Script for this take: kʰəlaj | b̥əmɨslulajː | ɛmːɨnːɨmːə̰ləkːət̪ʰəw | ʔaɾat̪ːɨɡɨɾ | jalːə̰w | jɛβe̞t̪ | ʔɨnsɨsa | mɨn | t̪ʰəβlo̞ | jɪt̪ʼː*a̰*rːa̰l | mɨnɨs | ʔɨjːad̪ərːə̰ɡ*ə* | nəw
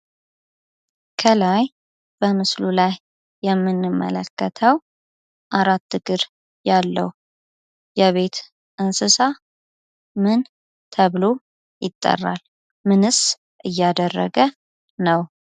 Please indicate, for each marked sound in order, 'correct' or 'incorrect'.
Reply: incorrect, correct

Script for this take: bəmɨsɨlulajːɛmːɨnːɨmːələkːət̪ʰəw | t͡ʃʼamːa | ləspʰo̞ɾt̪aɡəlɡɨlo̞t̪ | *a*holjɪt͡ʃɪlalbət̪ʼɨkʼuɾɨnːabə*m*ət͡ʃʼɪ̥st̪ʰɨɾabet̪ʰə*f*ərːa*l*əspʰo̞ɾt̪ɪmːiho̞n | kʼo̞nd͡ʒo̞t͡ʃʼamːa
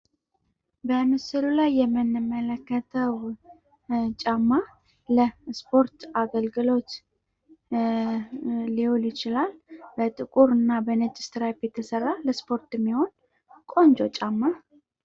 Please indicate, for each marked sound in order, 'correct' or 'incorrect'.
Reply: incorrect, incorrect, incorrect, correct

